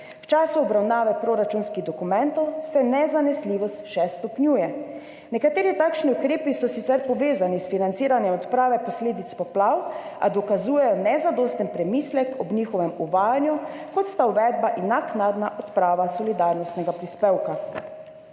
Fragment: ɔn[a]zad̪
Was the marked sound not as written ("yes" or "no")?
yes